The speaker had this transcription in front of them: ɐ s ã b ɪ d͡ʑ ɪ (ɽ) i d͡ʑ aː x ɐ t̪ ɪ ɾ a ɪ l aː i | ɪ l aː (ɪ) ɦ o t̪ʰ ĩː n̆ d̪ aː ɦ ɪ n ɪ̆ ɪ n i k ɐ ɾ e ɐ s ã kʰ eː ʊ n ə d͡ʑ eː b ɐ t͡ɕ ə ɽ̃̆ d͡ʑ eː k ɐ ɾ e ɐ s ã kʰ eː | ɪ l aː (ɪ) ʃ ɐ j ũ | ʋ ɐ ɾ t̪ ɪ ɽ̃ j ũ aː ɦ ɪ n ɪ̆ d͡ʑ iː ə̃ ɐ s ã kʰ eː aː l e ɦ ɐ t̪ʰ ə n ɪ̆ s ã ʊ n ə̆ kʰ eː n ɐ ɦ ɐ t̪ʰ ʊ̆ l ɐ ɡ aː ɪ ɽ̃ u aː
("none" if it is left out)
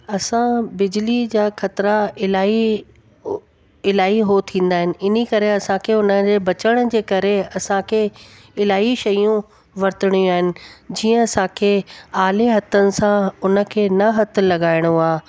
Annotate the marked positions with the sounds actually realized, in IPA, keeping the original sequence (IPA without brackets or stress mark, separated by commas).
l, i, i